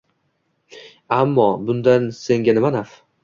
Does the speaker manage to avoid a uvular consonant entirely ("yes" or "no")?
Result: yes